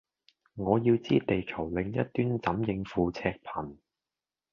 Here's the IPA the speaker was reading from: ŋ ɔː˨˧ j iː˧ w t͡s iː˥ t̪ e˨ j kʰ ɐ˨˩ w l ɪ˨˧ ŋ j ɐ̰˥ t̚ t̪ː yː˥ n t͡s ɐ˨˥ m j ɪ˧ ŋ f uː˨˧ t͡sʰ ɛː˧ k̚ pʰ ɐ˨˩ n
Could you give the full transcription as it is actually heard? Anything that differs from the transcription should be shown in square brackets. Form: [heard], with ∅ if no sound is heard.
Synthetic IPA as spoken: ŋ ɔː˨˧ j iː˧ w t͡s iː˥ t̪ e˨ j kʰ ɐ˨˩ w l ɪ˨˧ ŋ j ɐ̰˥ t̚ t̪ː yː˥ n t͡s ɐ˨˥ m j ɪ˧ ŋ f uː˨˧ t͡sʰ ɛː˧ k̚ pʰ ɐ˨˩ n